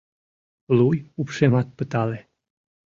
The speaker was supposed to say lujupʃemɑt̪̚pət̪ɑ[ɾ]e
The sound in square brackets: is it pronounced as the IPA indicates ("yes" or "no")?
no